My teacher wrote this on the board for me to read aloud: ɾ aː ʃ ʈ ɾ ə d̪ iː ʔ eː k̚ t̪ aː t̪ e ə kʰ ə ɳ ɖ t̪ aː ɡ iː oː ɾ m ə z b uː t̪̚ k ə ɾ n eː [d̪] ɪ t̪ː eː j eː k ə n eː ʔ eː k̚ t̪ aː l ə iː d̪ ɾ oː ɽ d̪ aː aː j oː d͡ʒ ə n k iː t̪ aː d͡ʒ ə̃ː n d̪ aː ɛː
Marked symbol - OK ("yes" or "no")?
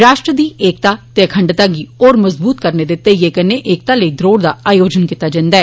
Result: yes